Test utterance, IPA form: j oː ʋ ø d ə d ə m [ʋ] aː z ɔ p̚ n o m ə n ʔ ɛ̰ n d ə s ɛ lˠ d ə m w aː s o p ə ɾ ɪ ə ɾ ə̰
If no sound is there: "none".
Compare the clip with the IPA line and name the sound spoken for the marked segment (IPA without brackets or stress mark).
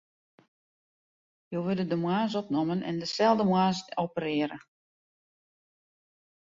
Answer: w